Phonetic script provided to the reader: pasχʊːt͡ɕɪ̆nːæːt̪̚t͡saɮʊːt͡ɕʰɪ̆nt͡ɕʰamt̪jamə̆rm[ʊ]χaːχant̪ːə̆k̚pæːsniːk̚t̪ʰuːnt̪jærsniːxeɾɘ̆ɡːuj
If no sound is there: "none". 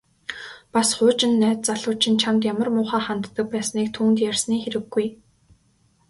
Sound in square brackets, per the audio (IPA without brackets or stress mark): ʊː